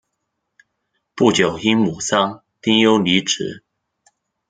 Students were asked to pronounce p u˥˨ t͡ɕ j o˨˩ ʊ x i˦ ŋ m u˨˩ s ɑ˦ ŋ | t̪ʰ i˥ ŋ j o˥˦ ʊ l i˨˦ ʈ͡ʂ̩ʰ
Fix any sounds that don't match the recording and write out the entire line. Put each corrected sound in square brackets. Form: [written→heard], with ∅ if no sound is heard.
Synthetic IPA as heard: p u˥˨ t͡ɕ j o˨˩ ʊ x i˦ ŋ m u˨˩ s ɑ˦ ŋ | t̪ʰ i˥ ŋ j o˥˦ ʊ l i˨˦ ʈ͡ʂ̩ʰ